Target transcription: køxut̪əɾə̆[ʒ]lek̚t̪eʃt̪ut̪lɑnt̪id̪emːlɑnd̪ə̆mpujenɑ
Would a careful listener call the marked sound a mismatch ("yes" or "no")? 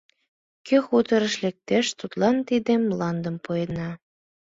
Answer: yes